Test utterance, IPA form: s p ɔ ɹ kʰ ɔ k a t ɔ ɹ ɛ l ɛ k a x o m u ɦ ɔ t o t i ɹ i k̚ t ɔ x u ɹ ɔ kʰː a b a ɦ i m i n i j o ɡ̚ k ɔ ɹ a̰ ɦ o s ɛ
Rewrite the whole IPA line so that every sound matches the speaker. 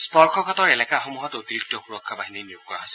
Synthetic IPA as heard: s p ɔ ɹ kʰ ɔ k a t ɔ ɹ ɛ l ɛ k a x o m u ɦ ɔ t o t i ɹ i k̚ t ɔ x u ɹ ɔ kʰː a b a ɦ i n i n i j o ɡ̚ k ɔ ɹ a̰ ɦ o s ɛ